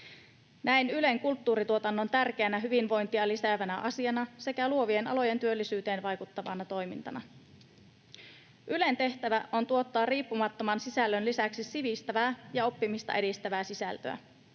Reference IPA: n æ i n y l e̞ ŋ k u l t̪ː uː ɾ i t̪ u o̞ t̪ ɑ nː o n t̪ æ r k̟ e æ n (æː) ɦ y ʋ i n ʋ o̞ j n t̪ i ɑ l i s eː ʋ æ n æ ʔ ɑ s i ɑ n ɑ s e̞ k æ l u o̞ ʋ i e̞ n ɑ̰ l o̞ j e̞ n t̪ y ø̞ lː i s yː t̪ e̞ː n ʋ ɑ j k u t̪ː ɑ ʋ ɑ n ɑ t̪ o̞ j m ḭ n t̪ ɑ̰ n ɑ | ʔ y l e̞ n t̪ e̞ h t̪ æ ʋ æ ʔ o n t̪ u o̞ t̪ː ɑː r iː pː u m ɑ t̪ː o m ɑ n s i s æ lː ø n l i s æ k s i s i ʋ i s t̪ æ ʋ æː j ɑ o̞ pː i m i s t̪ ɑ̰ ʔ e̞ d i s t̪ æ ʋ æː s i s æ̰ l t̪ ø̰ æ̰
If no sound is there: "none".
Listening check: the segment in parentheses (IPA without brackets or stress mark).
æ